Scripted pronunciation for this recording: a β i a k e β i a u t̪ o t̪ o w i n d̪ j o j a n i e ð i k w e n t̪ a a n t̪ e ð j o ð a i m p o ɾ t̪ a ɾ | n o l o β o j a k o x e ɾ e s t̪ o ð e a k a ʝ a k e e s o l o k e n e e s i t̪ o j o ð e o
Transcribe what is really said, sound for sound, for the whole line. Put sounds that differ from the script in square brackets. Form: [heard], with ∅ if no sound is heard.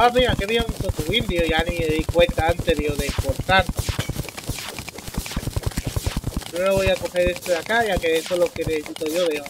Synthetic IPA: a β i a k e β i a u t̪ o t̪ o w i n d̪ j o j a n i e ð i k w e n t̪ a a n t̪ e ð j o ð [e] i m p o ɾ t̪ a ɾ | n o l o β o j a k o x e ɾ e s t̪ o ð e a k a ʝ a k e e s o l o k e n e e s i t̪ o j o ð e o